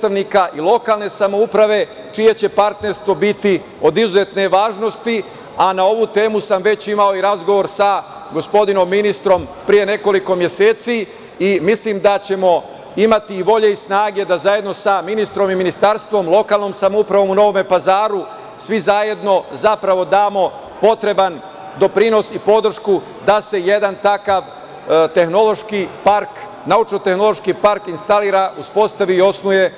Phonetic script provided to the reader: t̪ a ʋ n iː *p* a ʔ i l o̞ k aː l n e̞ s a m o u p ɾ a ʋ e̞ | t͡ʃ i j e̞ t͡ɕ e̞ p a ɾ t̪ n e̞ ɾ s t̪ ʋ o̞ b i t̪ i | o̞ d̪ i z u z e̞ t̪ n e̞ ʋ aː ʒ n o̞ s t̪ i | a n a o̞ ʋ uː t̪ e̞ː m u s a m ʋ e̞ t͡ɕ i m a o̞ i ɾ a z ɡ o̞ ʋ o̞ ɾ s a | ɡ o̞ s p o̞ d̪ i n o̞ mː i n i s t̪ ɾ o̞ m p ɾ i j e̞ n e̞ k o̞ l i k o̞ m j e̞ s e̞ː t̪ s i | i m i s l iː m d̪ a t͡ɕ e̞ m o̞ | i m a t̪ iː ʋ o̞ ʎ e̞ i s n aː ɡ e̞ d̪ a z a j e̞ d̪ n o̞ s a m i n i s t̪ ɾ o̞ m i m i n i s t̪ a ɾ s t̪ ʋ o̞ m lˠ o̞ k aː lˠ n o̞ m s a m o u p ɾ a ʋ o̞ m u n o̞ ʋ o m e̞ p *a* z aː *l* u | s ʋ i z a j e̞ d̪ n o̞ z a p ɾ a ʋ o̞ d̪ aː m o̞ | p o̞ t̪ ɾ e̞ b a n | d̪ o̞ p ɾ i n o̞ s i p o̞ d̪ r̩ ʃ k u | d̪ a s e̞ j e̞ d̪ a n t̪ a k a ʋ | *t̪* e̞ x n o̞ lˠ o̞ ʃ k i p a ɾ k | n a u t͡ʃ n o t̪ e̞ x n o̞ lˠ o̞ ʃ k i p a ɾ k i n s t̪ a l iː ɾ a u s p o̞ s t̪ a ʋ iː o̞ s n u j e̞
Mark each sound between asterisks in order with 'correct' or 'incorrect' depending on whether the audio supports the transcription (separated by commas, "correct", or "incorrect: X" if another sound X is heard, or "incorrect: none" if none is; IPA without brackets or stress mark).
incorrect: k, correct, incorrect: ɾ, correct